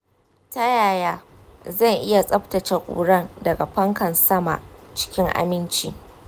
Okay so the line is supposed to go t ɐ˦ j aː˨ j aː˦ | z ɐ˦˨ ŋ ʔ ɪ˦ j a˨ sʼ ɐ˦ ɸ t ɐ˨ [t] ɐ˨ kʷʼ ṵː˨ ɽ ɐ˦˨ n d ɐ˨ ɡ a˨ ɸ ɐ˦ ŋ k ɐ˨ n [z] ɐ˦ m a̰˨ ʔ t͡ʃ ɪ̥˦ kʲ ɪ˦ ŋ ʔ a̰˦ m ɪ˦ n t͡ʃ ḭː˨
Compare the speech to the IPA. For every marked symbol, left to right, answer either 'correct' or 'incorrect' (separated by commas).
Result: incorrect, incorrect